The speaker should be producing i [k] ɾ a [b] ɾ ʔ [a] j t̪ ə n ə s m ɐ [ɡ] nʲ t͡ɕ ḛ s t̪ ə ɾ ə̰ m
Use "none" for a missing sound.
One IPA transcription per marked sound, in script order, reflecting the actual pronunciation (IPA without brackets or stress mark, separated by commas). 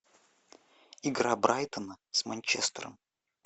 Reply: ɡ, b, a, none